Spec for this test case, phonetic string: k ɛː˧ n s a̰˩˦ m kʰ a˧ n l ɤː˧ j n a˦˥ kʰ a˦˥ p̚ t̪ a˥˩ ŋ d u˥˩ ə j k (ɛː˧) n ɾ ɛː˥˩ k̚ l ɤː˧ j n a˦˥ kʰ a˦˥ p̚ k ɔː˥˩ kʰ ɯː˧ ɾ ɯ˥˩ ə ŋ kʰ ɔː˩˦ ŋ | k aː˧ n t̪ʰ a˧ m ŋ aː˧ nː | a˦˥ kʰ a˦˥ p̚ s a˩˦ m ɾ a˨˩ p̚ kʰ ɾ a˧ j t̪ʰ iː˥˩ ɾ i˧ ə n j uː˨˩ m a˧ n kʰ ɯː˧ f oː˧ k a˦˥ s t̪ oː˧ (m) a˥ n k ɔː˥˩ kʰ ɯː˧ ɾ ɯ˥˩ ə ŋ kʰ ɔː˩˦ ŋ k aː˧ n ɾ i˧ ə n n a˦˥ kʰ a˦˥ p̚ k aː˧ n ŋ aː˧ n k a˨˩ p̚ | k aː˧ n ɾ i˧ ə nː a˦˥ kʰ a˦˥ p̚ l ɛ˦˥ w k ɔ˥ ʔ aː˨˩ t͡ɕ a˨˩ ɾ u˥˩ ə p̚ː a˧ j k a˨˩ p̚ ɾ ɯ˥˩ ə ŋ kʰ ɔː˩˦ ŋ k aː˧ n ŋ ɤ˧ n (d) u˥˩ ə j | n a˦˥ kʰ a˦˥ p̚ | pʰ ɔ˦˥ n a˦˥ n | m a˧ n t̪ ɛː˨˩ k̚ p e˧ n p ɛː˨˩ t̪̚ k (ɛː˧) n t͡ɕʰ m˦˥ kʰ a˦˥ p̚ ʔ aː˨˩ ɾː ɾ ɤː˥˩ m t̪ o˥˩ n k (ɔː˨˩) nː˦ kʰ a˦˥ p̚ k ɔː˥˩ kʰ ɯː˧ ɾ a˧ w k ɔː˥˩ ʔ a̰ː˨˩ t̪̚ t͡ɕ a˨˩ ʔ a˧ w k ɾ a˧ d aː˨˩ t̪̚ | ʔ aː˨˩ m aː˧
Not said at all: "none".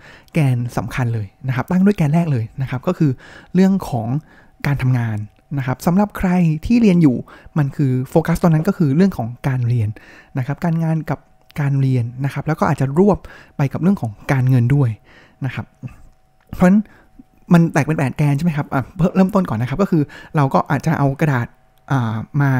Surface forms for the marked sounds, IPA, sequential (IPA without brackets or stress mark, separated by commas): ɛː˧, n, d, ɛː˧, ɔː˨˩